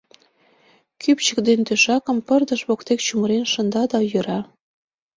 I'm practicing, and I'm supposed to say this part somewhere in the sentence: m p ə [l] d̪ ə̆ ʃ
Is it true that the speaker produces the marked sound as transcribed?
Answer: no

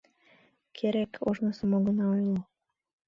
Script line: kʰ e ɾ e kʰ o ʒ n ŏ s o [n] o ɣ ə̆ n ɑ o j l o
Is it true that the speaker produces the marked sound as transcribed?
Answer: no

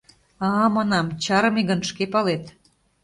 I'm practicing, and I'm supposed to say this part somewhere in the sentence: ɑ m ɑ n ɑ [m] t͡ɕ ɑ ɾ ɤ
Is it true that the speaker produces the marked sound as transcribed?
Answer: yes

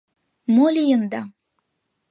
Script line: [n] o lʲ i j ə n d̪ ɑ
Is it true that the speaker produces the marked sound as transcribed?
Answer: no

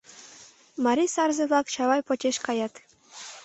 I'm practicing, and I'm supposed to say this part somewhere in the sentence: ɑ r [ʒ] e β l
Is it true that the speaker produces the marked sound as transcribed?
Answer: no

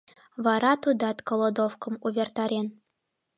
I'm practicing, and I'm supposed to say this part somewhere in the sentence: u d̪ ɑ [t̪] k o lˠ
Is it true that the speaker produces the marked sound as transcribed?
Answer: yes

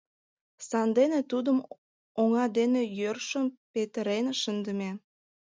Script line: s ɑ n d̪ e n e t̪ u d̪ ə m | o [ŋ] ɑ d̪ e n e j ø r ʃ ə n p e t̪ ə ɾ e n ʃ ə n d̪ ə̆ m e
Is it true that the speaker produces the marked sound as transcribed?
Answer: yes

